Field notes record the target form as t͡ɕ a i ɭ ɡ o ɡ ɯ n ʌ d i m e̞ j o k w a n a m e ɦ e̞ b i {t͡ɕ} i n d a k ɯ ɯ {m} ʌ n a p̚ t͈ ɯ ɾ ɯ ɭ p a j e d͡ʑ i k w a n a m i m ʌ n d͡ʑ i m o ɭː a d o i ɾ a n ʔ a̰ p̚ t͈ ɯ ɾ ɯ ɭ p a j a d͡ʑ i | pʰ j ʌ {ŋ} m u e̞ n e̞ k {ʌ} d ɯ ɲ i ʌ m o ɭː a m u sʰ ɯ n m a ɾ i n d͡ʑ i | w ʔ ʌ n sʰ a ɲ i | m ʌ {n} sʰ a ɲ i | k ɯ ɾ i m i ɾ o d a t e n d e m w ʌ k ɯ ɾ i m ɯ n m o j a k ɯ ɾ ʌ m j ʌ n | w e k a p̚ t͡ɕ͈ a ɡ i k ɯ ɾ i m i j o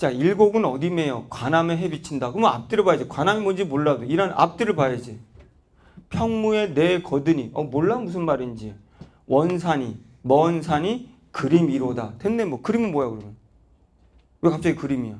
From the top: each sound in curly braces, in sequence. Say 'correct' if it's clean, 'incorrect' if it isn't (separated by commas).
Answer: incorrect, correct, correct, correct, correct